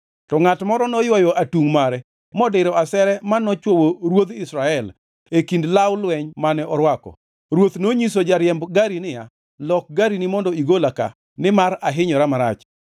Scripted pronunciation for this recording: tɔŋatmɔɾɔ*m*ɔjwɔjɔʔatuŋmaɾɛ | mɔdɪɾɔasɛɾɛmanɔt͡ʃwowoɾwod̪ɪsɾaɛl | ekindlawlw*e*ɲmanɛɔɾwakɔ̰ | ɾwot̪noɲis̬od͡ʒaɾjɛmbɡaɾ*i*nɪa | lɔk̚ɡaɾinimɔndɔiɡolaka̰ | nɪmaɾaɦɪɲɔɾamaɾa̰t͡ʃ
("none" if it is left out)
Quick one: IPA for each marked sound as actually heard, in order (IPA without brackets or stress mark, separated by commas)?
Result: n, ɛ, i